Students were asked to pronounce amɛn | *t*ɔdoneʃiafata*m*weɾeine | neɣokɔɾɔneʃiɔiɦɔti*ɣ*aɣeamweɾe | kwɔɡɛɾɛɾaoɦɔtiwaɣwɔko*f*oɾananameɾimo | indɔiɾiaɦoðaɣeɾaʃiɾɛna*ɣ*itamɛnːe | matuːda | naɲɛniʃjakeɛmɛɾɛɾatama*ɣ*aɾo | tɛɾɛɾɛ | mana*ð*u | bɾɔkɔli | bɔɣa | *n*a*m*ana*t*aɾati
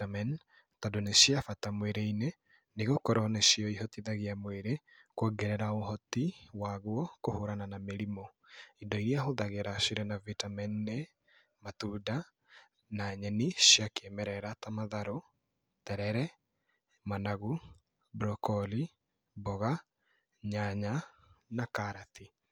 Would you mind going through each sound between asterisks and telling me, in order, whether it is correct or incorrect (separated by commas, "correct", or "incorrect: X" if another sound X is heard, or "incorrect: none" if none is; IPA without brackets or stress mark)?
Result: correct, correct, incorrect: ð, incorrect: h, incorrect: v, incorrect: ð, incorrect: ɣ, incorrect: ɲ, incorrect: ɲ, incorrect: k